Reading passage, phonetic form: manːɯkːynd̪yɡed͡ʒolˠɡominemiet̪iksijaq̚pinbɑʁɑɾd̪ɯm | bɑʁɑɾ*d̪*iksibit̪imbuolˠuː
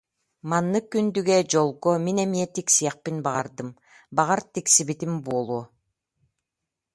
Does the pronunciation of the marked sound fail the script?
yes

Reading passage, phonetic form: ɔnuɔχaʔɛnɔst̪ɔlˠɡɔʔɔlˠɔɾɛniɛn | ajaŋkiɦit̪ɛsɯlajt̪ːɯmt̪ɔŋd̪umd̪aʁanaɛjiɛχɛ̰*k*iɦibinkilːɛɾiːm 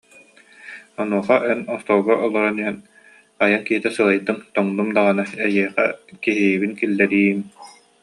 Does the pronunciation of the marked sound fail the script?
no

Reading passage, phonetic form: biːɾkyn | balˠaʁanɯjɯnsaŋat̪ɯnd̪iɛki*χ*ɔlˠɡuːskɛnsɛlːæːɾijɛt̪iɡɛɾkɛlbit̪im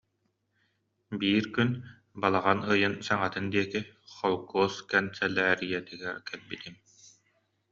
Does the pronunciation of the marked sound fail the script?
no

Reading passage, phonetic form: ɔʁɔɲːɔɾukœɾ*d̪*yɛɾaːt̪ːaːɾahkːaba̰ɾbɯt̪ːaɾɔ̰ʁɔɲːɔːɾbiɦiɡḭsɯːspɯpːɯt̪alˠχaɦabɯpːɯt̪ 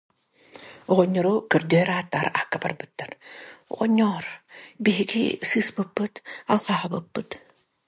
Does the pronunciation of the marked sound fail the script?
no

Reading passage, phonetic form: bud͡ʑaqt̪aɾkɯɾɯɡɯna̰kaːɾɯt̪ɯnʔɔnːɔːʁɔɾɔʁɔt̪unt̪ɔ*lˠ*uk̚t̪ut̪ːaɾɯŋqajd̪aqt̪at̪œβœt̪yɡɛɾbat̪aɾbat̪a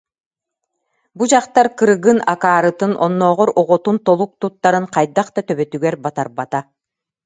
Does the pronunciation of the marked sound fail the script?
no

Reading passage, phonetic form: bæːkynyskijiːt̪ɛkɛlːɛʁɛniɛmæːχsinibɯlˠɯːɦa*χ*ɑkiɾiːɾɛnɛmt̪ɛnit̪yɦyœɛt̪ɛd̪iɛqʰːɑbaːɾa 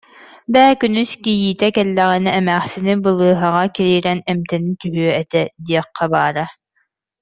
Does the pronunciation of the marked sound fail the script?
yes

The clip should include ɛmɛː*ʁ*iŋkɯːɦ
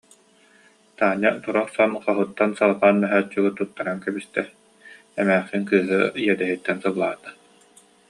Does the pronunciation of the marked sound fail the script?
yes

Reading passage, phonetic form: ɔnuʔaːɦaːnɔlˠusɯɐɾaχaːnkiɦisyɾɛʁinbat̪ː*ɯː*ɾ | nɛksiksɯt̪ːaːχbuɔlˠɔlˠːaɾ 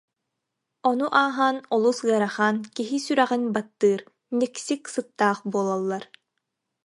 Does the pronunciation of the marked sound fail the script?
no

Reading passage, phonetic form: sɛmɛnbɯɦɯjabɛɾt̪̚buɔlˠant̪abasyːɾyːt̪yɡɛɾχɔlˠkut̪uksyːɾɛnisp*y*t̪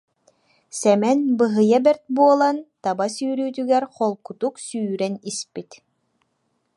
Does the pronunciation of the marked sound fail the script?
yes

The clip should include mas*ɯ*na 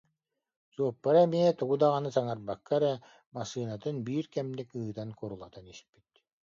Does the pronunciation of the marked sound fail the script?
yes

